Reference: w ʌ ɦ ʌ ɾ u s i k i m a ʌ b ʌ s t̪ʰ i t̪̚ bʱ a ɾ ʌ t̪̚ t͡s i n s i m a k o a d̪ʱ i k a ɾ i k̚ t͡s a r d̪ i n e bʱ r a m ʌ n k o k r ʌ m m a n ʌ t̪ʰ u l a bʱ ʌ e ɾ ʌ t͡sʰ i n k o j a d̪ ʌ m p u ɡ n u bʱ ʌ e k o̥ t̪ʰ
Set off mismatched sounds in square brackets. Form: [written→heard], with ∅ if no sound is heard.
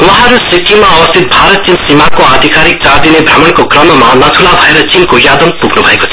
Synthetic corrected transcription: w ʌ ɦ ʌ ɾ u s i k i m a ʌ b ʌ s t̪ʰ i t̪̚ bʱ a ɾ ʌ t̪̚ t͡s i n s i m a k o a d̪ʱ i k a ɾ i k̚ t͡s a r d̪ i n e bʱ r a m ʌ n k o k r ʌ m m a n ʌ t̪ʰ u l a bʱ ʌ e ɾ ʌ [t͡sʰ→t͡s] i n k o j a d̪ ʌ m p u ɡ n u bʱ ʌ e k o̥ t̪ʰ